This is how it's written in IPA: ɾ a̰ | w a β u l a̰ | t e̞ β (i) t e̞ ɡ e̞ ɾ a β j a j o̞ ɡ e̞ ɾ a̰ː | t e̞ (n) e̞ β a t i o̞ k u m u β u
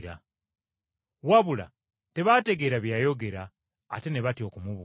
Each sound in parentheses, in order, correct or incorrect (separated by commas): incorrect, correct